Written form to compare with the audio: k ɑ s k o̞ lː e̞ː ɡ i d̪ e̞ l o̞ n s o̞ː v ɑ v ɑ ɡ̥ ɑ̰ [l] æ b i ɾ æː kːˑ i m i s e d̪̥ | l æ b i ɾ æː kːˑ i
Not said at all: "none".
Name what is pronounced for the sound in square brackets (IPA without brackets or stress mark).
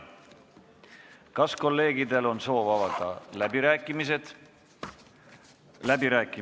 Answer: l